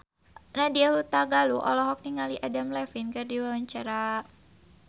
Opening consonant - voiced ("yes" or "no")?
yes